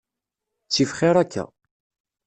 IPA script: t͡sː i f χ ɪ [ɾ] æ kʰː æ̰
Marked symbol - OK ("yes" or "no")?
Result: yes